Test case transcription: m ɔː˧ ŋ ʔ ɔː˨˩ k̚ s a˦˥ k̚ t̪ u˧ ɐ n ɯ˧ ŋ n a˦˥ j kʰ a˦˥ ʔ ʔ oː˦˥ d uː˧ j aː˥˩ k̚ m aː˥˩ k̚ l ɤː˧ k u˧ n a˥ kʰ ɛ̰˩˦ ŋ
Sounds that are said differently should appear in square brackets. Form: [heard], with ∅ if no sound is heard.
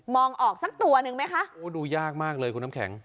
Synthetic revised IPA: m ɔː˧ ŋ ʔ ɔː˨˩ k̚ s a˦˥ k̚ t̪ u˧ ɐ n ɯ˧ ŋ [m] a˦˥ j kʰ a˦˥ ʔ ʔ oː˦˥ d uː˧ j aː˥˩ k̚ m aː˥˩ k̚ l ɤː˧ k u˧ n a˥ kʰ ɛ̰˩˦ ŋ

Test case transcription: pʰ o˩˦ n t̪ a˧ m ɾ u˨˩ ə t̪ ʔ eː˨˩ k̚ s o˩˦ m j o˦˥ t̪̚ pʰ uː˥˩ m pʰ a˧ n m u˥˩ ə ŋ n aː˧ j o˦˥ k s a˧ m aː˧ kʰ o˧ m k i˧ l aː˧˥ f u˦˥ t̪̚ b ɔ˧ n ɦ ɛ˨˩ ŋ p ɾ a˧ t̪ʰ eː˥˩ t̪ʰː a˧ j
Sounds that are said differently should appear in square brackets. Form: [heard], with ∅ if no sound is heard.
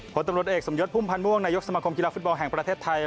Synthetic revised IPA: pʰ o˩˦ n t̪ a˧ m ɾ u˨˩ ə t̪ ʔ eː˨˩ k̚ s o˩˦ m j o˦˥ t̪̚ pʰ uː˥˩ m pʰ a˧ n m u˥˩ ə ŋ n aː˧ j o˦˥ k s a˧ m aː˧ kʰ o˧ m k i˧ l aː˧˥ f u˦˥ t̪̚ b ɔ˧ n ɦ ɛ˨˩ ŋ p ɾ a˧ t̪ʰ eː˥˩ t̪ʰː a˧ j

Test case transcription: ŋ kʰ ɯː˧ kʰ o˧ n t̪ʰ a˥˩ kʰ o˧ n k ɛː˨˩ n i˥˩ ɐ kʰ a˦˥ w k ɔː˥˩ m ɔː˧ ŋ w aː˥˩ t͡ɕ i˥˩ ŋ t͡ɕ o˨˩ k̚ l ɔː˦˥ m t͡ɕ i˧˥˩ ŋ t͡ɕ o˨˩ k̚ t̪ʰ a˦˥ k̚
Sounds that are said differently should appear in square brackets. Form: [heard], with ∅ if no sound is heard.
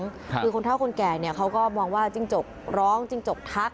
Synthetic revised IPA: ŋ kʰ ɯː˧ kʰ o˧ n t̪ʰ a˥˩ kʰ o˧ n k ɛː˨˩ n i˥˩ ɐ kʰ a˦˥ w k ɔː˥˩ m ɔː˧ ŋ w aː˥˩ t͡ɕ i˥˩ ŋ t͡ɕ o˨˩ k̚ [ɾ] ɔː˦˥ [ŋ] t͡ɕ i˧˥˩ ŋ t͡ɕ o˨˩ k̚ t̪ʰ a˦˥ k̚

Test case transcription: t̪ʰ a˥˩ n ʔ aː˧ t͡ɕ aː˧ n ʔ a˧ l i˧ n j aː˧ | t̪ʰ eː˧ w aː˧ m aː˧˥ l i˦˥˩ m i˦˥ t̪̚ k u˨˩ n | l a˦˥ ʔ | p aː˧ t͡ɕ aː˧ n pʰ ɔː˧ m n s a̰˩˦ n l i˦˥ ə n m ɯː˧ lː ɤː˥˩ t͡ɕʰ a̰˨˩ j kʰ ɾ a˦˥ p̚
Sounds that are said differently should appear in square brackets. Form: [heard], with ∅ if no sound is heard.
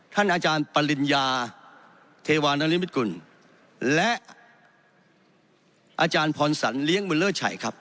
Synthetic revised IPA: t̪ʰ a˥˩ n ʔ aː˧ t͡ɕ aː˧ n [p] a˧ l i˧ n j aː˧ | t̪ʰ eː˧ w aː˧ [n] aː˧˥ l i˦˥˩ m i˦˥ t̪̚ k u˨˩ n | l [ɛ˦˥] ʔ | [ʔ] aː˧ t͡ɕ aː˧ n pʰ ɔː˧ [∅] n s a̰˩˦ n l i˦˥ ə [ŋ] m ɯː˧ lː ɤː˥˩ t͡ɕʰ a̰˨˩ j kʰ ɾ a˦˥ p̚

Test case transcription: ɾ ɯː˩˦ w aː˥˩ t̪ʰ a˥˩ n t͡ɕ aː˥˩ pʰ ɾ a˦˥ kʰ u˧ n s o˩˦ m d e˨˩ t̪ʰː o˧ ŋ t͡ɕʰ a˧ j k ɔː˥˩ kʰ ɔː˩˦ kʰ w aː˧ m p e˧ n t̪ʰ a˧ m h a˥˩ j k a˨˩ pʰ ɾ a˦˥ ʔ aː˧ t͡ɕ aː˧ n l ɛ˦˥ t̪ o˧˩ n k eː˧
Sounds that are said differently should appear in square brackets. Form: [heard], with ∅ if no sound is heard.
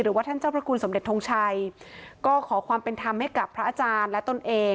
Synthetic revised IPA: ɾ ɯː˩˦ w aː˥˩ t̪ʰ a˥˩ n t͡ɕ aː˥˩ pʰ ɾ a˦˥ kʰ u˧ n s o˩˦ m d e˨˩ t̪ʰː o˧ ŋ t͡ɕʰ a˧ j k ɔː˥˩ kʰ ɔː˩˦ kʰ w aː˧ m p e˧ n t̪ʰ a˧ m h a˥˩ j k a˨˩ pʰ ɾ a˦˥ ʔ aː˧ t͡ɕ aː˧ n l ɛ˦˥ t̪ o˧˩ n [ʔ] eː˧

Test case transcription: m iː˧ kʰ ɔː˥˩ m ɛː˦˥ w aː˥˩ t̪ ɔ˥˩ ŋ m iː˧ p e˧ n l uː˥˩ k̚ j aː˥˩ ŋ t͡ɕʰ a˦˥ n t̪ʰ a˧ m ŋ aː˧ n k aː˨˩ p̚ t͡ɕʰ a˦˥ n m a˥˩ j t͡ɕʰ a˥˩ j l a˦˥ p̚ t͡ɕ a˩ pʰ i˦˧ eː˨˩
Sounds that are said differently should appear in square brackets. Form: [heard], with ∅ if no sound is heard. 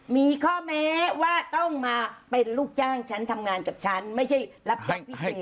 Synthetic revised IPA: m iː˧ kʰ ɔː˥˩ m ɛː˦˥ w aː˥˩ t̪ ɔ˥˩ ŋ m [aː˧] p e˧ n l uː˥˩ k̚ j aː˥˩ ŋ t͡ɕʰ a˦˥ n t̪ʰ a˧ m ŋ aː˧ n k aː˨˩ p̚ t͡ɕʰ a˦˥ n m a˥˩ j t͡ɕʰ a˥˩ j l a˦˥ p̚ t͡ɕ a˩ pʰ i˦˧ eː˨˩

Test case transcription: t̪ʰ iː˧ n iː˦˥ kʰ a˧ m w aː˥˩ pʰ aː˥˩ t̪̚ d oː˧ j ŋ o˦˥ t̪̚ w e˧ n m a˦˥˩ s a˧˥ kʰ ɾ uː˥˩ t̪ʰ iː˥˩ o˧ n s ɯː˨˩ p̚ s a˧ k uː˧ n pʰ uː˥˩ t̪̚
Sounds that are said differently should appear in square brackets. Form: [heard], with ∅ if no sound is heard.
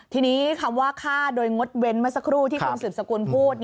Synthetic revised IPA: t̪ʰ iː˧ n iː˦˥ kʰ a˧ m w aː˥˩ [kʰ] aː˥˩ [∅] d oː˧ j ŋ o˦˥ t̪̚ w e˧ n m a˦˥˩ s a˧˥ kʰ ɾ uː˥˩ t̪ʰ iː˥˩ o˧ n s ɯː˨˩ p̚ s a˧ k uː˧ n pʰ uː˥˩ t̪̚

